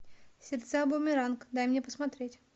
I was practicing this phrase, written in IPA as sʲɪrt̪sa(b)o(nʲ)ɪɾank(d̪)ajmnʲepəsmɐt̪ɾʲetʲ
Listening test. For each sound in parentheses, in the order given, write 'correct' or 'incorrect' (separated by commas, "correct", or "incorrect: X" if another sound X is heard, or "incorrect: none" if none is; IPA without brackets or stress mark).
correct, incorrect: mʲ, correct